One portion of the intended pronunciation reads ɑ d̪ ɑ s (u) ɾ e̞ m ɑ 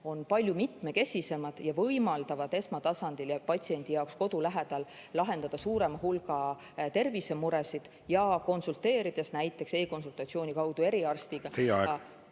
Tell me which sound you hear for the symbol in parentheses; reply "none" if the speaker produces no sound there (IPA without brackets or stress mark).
uː